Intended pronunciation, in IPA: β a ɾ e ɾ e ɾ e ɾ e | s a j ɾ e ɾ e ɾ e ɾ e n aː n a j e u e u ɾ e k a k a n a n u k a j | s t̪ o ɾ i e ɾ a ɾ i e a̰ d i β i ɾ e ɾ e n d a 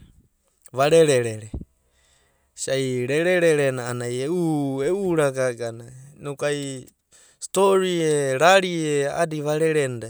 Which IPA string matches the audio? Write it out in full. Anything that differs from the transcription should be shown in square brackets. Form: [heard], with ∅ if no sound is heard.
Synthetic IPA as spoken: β a ɾ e ɾ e ɾ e ɾ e | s a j ɾ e ɾ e ɾ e ɾ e n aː n a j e u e u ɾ [a] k a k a n a n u k a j | s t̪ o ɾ i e ɾ a ɾ i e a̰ d i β [a] ɾ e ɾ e n d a